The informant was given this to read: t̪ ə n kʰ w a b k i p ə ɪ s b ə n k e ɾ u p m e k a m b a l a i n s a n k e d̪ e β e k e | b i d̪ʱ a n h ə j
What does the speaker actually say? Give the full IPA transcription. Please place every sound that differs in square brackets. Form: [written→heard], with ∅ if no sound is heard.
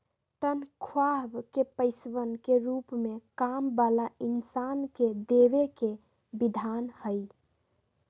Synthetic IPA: t̪ ə n kʰ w a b k [i→e] p ə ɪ s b ə n k e ɾ u p m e k a m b a l a i n s a n k e d̪ e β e k e | b i d̪ʱ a n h ə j